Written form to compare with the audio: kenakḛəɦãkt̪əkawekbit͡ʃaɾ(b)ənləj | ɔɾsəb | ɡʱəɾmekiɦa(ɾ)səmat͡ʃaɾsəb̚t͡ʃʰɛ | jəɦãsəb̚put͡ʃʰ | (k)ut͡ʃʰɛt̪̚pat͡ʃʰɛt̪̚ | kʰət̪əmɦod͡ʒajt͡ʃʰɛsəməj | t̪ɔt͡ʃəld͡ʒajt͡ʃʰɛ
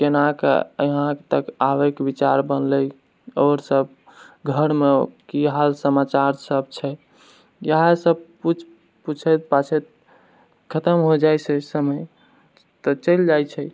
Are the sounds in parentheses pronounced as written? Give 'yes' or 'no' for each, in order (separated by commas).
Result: yes, no, no